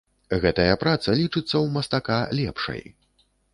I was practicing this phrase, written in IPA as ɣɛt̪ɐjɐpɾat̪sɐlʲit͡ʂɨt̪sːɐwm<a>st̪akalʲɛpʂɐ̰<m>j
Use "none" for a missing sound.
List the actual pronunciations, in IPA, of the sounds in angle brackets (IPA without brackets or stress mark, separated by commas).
ɐ, none